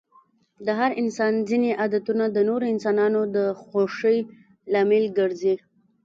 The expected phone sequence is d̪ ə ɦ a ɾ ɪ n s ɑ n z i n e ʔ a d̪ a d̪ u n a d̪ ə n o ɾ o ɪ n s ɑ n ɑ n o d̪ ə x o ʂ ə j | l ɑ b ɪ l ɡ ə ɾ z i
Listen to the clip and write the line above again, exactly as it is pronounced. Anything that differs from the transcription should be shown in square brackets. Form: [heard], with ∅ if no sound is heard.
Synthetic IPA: d̪ ə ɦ a ɾ ɪ n s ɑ n z i n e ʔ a d̪ a [t̪] u n a d̪ ə n o ɾ o ɪ n s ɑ n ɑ n o d̪ ə x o ʂ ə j | l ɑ [m] ɪ l ɡ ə ɾ z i